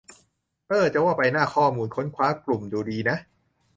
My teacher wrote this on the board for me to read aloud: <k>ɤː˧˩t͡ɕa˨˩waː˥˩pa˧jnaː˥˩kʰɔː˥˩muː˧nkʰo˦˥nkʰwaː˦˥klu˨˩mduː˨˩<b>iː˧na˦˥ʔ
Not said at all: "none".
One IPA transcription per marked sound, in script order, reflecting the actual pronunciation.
ʔ, d

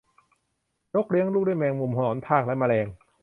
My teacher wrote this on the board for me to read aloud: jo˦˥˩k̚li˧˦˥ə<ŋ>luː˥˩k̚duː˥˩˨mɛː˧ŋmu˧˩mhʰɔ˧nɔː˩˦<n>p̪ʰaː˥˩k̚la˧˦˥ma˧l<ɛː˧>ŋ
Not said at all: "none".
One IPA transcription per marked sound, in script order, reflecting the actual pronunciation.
ŋ, n, ɛː˧

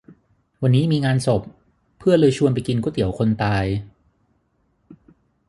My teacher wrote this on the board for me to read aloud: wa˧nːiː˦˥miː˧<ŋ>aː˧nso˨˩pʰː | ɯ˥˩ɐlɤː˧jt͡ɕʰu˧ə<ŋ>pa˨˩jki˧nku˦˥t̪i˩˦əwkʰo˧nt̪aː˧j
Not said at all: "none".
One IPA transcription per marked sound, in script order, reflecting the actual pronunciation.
ŋ, n

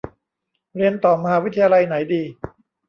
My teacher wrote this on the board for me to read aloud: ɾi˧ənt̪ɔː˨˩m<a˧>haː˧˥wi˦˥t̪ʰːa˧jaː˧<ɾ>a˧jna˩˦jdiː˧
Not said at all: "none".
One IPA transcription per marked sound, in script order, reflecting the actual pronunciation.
a˧, l

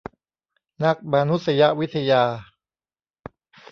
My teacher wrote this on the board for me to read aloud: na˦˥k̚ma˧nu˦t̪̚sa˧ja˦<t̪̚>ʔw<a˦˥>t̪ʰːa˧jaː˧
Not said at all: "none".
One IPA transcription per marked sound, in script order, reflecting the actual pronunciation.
none, i˦˥

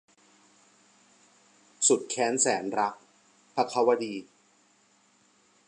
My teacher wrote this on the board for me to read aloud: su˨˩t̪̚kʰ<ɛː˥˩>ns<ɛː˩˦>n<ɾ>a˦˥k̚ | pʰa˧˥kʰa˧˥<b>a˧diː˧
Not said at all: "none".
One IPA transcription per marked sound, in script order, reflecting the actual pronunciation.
ɛː˦˥, ɛː˩˦, ɾ, w

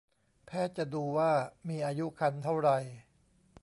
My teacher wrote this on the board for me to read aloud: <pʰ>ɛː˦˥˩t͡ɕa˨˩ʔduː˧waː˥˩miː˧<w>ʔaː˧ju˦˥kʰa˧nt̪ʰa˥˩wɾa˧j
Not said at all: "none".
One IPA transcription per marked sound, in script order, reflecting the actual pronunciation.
pʰ, none

